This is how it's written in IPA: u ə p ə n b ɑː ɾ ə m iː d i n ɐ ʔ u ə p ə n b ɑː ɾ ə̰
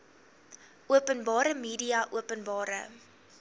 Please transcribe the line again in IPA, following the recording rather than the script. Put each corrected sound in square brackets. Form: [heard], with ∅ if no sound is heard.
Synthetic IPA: u ə p ə n b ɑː ɾ ə m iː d i [∅] ɐ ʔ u ə p ə n b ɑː ɾ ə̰